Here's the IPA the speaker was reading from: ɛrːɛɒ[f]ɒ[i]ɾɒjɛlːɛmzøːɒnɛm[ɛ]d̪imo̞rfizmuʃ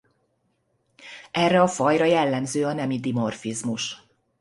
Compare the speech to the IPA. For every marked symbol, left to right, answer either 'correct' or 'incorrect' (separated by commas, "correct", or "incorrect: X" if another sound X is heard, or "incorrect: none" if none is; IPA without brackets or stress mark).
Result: correct, incorrect: j, incorrect: i